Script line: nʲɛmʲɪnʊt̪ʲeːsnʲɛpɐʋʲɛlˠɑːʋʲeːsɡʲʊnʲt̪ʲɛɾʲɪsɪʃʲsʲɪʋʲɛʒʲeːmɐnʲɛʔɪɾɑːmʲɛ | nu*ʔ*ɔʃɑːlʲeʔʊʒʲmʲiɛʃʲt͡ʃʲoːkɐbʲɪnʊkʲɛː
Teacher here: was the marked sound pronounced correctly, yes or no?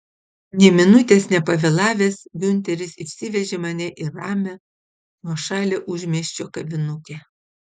no